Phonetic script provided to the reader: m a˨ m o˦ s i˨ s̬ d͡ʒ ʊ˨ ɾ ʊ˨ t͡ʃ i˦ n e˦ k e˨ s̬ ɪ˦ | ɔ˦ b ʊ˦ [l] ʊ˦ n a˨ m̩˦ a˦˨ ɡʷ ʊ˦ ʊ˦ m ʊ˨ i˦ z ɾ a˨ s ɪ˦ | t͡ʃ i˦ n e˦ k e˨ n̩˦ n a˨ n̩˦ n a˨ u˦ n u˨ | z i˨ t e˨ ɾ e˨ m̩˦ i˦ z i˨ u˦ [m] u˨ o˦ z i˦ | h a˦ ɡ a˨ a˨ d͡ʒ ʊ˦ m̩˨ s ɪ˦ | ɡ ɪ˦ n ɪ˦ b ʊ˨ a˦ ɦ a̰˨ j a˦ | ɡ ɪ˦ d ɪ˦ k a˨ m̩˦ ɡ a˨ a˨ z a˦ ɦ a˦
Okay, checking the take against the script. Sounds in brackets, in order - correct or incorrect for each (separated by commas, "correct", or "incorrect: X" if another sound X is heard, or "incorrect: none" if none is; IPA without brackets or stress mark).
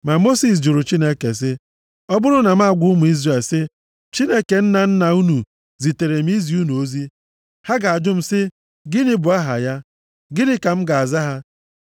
incorrect: ɾ, incorrect: n